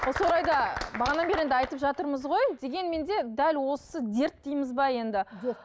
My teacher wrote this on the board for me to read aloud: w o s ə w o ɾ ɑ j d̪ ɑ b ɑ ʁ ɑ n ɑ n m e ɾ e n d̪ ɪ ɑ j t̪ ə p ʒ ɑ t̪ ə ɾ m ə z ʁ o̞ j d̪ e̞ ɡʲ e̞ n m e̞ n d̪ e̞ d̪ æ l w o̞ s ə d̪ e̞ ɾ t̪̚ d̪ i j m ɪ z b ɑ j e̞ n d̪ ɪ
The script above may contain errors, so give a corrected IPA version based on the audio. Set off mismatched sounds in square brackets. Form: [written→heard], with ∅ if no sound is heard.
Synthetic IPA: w o s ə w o ɾ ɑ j d̪ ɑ b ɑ ʁ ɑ n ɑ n [m→b] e ɾ e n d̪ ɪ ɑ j t̪ ə p ʒ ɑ t̪ ə ɾ m ə z ʁ o̞ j d̪ e̞ ɡʲ e̞ n m e̞ n d̪ e̞ d̪ æ l w o̞ s ə d̪ e̞ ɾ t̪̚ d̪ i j m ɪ z b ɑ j e̞ n d̪ ɪ